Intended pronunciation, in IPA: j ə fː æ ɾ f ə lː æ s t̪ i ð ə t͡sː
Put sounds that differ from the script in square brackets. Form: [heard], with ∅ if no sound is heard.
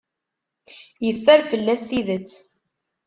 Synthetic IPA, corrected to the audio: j ə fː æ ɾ f ə lː æ s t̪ i ð ə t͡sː